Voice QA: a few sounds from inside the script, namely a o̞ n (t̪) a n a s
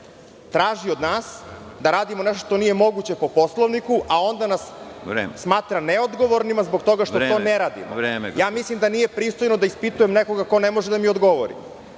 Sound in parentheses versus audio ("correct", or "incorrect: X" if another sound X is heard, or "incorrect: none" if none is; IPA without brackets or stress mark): incorrect: d̪